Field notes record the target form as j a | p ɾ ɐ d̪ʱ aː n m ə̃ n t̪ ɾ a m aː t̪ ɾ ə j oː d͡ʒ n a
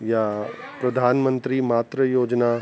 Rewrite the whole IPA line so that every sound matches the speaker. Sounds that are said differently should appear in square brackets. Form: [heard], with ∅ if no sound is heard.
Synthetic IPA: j a | p ɾ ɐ d̪ʱ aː n m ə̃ n t̪ ɾ [i] m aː t̪ ɾ ə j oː d͡ʒ n a

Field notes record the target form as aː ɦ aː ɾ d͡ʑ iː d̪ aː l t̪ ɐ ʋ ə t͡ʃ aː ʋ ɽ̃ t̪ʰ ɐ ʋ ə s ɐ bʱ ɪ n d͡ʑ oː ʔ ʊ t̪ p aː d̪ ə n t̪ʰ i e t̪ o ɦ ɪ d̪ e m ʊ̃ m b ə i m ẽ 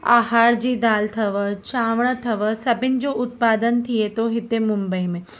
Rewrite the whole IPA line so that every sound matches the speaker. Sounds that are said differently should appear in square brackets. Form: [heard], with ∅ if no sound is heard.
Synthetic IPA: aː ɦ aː ɾ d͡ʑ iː d̪ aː l [t̪ʰ] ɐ ʋ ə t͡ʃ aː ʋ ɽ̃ t̪ʰ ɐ ʋ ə s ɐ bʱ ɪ n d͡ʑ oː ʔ ʊ t̪ p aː d̪ ə n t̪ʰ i e t̪ o ɦ ɪ [t̪] e m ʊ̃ m b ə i m ẽ

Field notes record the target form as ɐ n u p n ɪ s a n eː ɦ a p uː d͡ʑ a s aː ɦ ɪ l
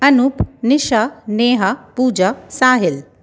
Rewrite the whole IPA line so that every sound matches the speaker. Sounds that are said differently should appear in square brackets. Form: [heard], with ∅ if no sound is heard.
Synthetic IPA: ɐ n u p n ɪ [ʃ] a n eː ɦ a p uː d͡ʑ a s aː ɦ ɪ l

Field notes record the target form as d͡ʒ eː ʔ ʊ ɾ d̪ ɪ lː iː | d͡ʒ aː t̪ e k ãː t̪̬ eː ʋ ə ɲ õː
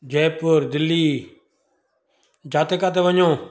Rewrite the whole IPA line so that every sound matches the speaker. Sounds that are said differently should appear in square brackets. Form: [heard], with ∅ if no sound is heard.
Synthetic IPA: d͡ʒ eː [p] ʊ ɾ d̪ ɪ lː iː | d͡ʒ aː t̪ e k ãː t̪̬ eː ʋ ə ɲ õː

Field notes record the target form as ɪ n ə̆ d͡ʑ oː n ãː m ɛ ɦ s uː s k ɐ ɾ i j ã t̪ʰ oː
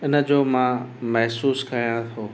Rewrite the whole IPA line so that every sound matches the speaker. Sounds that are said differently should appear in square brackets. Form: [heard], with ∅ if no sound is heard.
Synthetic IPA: ɪ n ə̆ d͡ʑ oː [m] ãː m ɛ ɦ s uː s k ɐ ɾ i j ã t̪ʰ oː

